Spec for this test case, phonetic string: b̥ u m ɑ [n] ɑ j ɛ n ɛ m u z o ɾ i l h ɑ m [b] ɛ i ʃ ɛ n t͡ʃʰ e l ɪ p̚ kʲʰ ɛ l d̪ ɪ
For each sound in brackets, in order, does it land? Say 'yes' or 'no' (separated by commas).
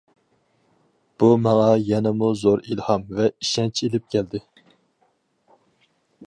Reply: no, no